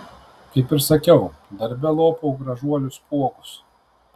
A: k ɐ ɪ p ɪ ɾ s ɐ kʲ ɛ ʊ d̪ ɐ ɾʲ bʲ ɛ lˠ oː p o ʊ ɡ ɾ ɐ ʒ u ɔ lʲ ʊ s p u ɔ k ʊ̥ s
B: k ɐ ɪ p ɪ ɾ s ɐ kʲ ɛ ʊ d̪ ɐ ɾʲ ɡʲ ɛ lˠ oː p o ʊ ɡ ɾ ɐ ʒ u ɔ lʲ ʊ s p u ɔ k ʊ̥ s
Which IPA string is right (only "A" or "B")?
A